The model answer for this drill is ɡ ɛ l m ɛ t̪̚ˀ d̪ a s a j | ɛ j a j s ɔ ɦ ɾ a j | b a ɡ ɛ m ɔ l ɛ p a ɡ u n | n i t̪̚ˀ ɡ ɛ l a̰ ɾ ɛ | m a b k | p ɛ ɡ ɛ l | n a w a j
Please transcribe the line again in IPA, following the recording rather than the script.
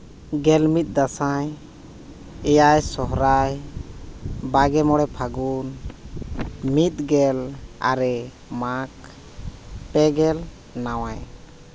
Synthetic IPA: ɡ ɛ l m i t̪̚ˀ d̪ a s a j | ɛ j a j s ɔ ɦ ɾ a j | b a ɡ ɛ m ɔ ɽ ɛ pʰ a ɡ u n | m i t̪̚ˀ ɡ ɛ l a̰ ɾ ɛ | m a k | p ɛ ɡ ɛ l | n a w a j